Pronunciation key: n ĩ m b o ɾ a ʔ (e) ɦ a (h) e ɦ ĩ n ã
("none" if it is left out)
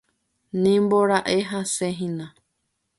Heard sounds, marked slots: e, s

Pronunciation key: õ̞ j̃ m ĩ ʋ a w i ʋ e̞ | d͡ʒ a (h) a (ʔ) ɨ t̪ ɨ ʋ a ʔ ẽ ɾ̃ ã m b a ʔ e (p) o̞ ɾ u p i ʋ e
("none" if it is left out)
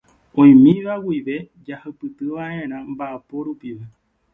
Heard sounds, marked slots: h, p, p

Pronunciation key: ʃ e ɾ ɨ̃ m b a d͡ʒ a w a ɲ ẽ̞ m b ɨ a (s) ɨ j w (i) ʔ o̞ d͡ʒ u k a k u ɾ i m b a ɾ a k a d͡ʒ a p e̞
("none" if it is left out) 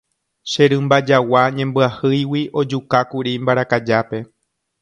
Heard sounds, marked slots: h, i

